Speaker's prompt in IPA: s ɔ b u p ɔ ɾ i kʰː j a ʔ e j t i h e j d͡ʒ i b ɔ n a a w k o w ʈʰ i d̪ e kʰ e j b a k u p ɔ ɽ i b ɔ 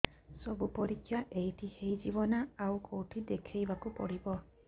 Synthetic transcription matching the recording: s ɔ b u p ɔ ɾ i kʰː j a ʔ e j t i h e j d͡ʒ i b ɔ n a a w k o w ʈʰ i d̪ e kʰ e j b a k u p ɔ ɽ i b ɔ